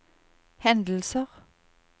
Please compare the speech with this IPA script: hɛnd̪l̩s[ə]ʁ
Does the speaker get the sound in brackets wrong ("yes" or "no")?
no